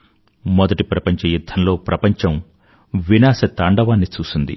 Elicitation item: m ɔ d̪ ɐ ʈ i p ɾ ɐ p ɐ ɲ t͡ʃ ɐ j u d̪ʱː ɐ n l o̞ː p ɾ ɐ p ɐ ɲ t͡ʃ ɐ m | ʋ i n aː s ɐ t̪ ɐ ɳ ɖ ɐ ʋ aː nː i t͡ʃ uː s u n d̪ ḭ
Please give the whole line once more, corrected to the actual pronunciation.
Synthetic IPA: m ɔ d̪ ɐ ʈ i p ɾ ɐ p ɐ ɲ t͡ʃ ɐ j u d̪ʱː ɐ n l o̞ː p ɾ ɐ p ɐ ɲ t͡ʃ ɐ m | ʋ i n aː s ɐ t̪ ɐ ɳ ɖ ɐ ʋ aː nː i t͡ʃ uː s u n d̪ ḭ

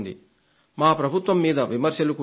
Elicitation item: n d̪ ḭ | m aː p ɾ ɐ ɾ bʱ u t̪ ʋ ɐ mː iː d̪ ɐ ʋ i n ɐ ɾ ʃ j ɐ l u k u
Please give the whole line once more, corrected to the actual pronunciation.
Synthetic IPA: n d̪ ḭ | m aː p ɾ ɐ bʱ u t̪ ʋ ɐ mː iː d̪ ɐ ʋ i m ɐ ɾ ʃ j ɐ l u k u

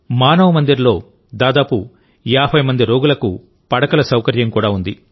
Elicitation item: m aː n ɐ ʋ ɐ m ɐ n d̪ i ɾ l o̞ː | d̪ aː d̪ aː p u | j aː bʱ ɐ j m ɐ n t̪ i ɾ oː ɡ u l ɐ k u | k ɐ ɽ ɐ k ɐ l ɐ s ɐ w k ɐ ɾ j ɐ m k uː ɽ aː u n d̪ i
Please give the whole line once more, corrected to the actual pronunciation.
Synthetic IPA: m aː n ɐ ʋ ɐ m ɐ n d̪ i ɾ l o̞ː | d̪ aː d̪ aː p u | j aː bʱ ɐ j m ɐ n d̪ i ɾ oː ɡ u l ɐ k u | p ɐ ɽ ɐ k ɐ l ɐ s ɐ w k ɐ ɾ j ɐ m k uː ɽ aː u n d̪ i

